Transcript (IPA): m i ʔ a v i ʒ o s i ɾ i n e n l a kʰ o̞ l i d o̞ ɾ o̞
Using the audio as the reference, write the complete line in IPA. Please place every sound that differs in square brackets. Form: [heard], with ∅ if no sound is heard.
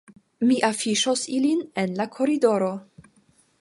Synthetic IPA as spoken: m i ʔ a [f] i [ʃ] o s i [l] i n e n l a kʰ o̞ [ɾ] i d o̞ ɾ o̞